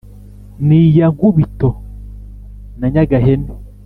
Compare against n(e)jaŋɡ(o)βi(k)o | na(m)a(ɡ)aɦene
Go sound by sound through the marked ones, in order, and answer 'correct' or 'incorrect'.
incorrect: i, incorrect: u, incorrect: t, incorrect: ɲ, correct

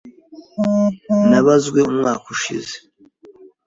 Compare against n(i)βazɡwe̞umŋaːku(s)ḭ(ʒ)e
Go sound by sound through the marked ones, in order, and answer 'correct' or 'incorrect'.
incorrect: a, incorrect: ʃ, incorrect: z

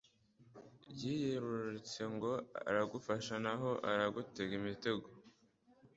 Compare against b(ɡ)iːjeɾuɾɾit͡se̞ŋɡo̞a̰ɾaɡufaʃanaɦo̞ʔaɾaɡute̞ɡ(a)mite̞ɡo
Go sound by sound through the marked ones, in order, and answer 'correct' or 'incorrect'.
incorrect: ɟ, incorrect: i

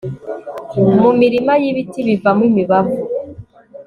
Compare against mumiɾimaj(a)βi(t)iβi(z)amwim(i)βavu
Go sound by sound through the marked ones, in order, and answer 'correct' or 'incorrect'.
incorrect: i, correct, incorrect: v, correct

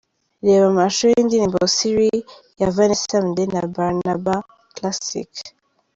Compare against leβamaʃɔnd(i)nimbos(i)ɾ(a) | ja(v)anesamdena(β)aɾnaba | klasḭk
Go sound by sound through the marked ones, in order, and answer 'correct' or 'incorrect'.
correct, correct, incorrect: i, correct, incorrect: b

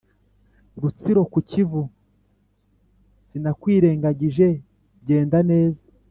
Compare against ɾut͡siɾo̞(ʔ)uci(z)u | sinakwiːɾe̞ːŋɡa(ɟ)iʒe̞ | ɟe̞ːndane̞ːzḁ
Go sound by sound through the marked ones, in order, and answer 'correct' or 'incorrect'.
incorrect: k, incorrect: v, correct

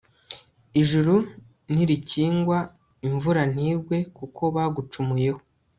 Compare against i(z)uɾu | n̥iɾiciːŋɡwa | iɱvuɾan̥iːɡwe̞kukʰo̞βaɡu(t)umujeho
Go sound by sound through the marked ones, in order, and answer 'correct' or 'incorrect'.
incorrect: ʒ, incorrect: t͡ʃ

